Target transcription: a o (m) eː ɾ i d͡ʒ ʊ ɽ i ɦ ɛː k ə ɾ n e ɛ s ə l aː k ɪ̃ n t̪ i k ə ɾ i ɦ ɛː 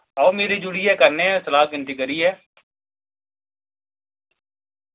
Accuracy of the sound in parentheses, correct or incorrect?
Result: correct